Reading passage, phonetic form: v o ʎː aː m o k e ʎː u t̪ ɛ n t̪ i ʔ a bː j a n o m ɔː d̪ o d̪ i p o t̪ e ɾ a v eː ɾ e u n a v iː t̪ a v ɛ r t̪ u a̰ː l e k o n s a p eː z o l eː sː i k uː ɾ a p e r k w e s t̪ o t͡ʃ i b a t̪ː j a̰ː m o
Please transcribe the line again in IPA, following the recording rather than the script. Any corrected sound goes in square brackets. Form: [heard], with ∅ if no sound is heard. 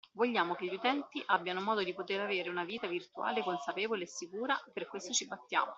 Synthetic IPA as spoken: v o ʎː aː m o k e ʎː u t̪ ɛ n t̪ i ʔ a bː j a n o m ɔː d̪ o d̪ i p o t̪ e ɾ a v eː ɾ e u n a v iː t̪ a v [i] r t̪ u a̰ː l e k o n s a p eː [v] o l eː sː i k uː ɾ a p e r k w e s t̪ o t͡ʃ i b a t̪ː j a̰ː m o